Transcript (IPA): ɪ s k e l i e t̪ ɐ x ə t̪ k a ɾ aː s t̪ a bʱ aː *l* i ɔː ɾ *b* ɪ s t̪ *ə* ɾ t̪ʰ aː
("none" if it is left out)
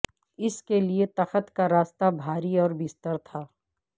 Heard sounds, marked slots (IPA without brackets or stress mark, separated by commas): ɾ, b, ə